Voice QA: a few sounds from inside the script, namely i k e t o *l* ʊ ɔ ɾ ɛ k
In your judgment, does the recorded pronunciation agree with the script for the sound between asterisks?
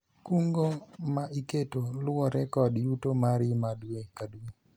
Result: yes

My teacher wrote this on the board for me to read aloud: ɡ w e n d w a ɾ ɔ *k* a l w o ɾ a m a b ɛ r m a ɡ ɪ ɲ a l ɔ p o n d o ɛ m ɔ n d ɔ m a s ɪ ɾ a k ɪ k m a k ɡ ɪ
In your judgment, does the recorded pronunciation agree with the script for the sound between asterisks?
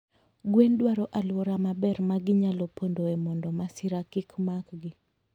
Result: no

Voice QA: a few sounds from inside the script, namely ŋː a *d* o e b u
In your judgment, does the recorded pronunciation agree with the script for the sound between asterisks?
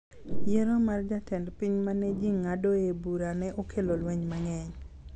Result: yes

